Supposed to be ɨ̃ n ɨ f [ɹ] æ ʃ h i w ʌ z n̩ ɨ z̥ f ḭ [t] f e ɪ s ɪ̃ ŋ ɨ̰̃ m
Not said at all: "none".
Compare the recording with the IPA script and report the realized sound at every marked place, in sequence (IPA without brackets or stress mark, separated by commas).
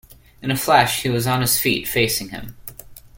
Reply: l, t